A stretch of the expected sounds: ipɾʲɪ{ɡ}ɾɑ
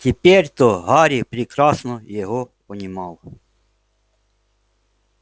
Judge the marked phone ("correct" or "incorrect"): incorrect